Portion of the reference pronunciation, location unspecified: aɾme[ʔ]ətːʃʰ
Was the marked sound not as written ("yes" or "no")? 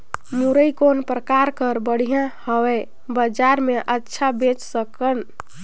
no